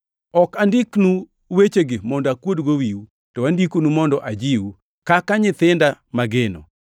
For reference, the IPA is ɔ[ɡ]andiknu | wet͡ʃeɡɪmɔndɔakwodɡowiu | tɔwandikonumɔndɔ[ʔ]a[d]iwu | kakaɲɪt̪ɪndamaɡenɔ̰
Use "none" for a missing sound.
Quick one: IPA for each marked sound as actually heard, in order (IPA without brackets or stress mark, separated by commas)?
k, ʔ, d͡ʒ